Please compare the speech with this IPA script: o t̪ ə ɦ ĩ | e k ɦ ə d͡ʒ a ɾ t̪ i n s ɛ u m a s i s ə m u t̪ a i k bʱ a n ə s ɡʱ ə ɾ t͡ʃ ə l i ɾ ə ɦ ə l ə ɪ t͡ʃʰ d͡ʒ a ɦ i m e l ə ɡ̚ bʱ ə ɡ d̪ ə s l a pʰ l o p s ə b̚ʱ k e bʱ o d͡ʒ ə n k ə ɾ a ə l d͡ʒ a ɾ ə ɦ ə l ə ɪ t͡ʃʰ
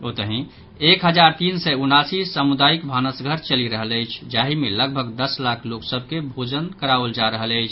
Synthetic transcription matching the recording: o t̪ ə ɦ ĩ | e k ɦ ə d͡ʒ a ɾ t̪ i n s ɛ u n a s i s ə m u d̪ a i k bʱ a n ə s ɡʱ ə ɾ t͡ʃ ə l i ɾ ə ɦ ə l ə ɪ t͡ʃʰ d͡ʒ a ɦ i m e l ə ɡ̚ bʱ ə ɡ d̪ ə s l a kʰ l o k s ə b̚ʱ k e bʱ o d͡ʒ ə n k ə ɾ a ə l d͡ʒ a ɾ ə ɦ ə l ə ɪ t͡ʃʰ